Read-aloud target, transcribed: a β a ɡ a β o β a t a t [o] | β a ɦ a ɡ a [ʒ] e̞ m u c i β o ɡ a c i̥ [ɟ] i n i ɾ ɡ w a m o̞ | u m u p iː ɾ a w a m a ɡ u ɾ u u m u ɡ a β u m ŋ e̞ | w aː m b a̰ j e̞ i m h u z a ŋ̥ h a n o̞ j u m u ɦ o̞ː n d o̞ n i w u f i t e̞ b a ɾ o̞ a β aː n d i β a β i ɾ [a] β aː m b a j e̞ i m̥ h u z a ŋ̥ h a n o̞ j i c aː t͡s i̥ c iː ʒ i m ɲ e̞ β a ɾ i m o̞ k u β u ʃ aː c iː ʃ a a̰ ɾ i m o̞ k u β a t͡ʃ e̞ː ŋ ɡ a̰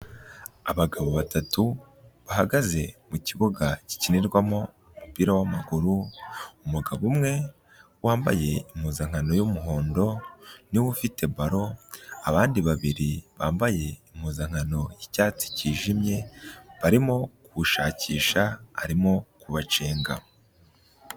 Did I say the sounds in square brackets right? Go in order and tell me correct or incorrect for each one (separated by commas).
incorrect, incorrect, incorrect, incorrect